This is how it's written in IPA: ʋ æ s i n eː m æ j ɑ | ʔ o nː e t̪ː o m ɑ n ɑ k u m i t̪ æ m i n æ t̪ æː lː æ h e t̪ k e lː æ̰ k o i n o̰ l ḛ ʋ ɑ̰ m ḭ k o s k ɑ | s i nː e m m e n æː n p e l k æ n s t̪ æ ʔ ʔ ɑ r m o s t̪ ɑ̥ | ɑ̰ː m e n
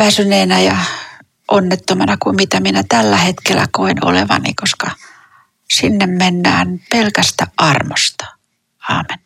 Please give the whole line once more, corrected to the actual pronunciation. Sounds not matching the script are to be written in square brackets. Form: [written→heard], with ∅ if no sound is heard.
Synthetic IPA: ʋ æ s [i→y] n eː [m→n] æ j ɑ | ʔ o nː e t̪ː o m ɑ n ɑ k u m i t̪ æ m i n æ t̪ [æː→æ] lː æ h e t̪ k e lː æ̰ k o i n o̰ l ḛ ʋ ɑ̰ [m→n] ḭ k o s k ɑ | s i nː e m m e [n→nː] æː n p e l k æ [n→∅] s t̪ æ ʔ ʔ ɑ r m o s t̪ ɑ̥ | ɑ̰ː m e n